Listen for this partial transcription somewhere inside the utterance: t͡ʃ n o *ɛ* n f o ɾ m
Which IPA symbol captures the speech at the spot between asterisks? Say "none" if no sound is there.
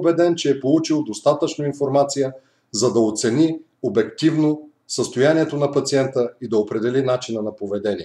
i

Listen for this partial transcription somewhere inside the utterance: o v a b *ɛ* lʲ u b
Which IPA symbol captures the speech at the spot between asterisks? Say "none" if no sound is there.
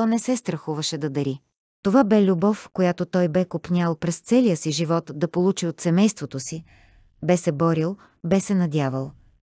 ɛ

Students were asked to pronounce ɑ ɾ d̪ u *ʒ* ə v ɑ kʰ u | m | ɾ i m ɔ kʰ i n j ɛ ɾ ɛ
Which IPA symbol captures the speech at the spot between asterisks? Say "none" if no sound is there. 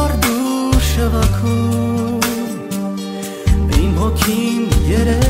ʃ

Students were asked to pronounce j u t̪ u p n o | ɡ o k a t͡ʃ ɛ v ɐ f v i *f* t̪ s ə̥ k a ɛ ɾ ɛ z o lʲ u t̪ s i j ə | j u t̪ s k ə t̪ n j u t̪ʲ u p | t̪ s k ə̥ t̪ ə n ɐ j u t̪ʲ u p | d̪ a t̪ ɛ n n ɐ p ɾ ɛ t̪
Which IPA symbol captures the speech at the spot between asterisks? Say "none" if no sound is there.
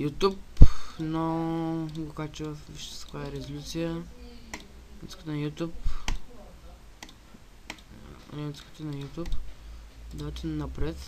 ʃ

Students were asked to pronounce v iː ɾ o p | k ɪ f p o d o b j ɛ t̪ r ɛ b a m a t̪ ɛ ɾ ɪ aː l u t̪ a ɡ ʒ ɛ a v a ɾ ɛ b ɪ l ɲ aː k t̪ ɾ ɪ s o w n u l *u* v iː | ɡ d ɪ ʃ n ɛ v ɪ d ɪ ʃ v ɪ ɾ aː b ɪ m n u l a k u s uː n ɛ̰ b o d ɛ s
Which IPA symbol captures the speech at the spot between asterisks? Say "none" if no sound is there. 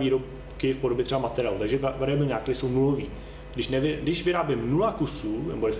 o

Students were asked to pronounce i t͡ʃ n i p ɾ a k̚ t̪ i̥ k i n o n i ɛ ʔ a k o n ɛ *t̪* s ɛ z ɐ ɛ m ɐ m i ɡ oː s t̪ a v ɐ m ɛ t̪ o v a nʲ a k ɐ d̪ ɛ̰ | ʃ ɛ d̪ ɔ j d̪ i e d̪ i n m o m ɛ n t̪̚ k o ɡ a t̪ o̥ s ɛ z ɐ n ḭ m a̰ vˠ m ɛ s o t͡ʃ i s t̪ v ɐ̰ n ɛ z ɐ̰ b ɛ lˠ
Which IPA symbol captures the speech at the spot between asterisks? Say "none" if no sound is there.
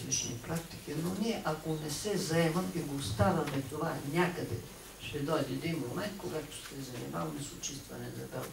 none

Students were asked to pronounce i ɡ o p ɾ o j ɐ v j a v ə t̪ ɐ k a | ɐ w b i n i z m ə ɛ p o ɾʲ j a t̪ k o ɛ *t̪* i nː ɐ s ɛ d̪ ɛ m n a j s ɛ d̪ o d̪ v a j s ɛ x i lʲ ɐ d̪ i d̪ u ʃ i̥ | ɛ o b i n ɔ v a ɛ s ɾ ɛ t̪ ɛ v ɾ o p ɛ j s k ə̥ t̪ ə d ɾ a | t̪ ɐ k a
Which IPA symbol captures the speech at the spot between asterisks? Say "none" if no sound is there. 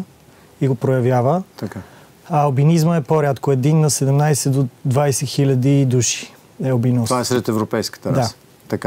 d̪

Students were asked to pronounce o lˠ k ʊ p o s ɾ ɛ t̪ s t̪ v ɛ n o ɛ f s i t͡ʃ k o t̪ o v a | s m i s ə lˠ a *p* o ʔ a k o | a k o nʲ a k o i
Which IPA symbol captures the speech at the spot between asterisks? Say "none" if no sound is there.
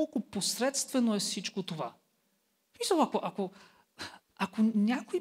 k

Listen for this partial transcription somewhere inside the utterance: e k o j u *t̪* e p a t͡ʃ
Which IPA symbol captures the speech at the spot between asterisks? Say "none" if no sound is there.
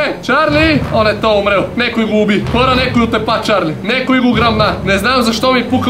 t̪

